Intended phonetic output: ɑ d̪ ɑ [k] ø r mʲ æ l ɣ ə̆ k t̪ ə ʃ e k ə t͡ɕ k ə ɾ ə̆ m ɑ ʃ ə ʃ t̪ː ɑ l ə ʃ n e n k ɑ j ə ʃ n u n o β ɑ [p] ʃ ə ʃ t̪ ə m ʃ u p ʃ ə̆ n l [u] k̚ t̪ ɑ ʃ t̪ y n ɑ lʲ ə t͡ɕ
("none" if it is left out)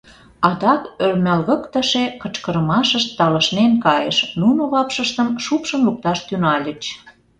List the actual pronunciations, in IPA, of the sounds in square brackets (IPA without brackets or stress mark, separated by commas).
k, p, u